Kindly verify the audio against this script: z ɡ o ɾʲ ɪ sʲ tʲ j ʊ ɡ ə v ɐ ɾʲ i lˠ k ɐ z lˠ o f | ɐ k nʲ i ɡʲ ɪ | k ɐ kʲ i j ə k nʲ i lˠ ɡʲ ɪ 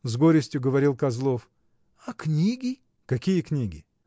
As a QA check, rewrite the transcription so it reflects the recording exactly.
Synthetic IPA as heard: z ɡ o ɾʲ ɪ sʲ tʲ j ʊ ɡ ə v ɐ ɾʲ i lˠ k ɐ z lˠ o f | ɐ k nʲ i ɡʲ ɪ | k ɐ kʲ i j ə k nʲ i ɡʲ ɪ